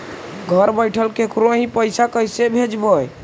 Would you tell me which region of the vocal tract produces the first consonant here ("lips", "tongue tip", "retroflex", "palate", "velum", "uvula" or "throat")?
velum